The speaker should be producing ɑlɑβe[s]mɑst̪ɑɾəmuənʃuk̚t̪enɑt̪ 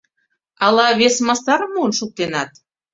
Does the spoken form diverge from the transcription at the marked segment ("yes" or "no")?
no